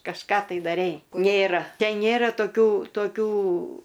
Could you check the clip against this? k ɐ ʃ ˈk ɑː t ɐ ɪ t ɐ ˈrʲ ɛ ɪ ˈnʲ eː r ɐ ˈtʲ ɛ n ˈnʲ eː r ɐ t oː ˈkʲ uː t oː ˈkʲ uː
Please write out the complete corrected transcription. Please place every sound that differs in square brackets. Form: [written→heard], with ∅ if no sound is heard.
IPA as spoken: k ɐ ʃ ˈk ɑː t ɐ ɪ [t→d] ɐ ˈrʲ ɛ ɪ ˈnʲ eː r ɐ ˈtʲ ɛ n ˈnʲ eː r ɐ t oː ˈkʲ uː t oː ˈkʲ uː